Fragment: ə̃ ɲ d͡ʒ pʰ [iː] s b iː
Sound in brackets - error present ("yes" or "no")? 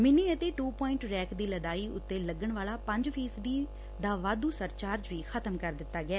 no